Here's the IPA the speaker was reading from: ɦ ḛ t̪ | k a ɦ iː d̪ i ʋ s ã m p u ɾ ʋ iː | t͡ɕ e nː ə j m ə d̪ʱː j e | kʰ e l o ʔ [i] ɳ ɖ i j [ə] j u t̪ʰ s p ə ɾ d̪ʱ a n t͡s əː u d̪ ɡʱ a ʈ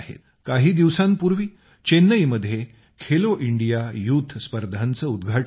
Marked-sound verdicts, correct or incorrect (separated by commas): correct, incorrect